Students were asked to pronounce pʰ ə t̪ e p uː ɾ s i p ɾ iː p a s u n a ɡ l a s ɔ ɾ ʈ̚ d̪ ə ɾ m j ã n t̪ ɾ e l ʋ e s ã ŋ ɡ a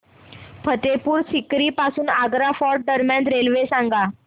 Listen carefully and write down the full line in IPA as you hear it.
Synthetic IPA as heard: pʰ ə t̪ e p uː ɾ s i k ɾ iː p a s uː n a ɡ ɾ a f ɔ ɾ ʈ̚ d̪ ə ɾ m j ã n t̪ ɾ e l ʋ e s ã ŋ ɡ a